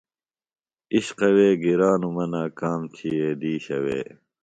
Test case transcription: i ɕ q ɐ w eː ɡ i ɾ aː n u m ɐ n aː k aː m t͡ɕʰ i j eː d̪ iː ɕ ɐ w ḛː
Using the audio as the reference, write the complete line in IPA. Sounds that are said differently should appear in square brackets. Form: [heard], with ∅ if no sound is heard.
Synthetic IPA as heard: i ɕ q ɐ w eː ɡ i ɾ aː n u m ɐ n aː k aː m t͡ɕʰ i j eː d̪ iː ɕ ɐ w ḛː